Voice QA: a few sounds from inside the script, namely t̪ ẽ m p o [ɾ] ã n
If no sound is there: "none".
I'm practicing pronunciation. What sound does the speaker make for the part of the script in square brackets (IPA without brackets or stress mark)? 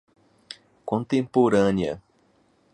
ɾ